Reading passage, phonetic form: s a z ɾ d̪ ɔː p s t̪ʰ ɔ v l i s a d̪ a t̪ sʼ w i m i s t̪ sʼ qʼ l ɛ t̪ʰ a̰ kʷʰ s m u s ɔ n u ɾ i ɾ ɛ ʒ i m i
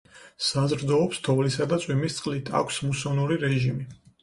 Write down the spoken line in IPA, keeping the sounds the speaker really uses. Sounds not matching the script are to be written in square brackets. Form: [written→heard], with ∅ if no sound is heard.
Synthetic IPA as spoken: s a z ɾ d̪ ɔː p s t̪ʰ ɔ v l i s a d̪ a t̪ sʼ w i m i s t̪ sʼ qʼ l [ɛ→i] t̪ʰ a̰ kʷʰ s m u s ɔ n u ɾ i ɾ ɛ ʒ i m i